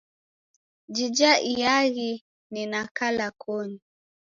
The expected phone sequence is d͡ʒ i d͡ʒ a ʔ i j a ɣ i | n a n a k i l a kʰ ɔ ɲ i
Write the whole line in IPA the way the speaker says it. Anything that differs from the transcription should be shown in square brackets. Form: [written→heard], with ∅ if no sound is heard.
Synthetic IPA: d͡ʒ i d͡ʒ a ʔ i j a ɣ i | n [a→i] n a k [i→a] l a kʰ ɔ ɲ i